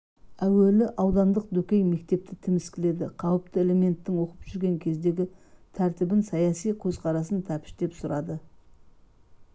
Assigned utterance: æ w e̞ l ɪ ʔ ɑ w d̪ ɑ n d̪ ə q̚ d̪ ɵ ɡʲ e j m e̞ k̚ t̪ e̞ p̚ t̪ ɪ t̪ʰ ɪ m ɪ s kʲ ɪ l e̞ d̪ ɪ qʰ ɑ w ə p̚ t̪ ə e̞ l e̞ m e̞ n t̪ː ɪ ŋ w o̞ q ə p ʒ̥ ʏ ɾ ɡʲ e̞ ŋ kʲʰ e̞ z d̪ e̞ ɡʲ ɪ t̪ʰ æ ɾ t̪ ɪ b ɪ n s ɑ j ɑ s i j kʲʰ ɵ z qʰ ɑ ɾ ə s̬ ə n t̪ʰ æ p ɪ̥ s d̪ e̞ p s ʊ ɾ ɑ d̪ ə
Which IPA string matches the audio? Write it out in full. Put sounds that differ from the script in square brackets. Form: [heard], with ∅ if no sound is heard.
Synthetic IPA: æ w e̞ l ɪ ʔ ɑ w d̪ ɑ n d̪ ə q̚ d̪ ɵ [kʲ] e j m e̞ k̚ t̪ e̞ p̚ t̪ ɪ t̪ʰ ɪ m ɪ s kʲ ɪ l e̞ d̪ ɪ qʰ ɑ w ə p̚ t̪ ə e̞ l e̞ m e̞ n t̪ː ɪ ŋ w o̞ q ə p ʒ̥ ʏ ɾ ɡʲ e̞ ŋ kʲʰ e̞ z d̪ e̞ ɡʲ ɪ t̪ʰ æ ɾ t̪ ɪ b ɪ n s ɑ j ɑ s i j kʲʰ ɵ z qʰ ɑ ɾ [ɑ] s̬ ə n t̪ʰ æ p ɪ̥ [ʃ] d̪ e̞ p s ʊ ɾ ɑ d̪ ə